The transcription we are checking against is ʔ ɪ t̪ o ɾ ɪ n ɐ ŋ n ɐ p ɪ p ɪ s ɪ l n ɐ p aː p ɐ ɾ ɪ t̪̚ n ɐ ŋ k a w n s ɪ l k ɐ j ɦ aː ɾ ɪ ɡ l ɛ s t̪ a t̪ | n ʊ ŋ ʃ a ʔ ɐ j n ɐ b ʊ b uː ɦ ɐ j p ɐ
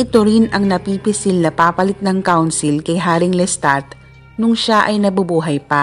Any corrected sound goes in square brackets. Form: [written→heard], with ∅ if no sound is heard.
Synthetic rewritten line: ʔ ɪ t̪ o ɾ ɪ n ɐ ŋ n ɐ p [ɪ→i] p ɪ s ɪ l n ɐ p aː p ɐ [ɾ→l] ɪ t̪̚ n ɐ ŋ k a w n s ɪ l k ɐ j ɦ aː ɾ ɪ [ɡ→ŋ] l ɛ s t̪ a t̪ | n ʊ ŋ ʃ a ʔ ɐ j n ɐ b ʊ b uː ɦ ɐ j p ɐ